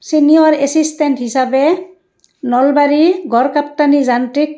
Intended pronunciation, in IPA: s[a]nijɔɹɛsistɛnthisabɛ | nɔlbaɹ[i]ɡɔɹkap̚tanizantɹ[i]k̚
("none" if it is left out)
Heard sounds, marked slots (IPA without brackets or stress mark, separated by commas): i, i, i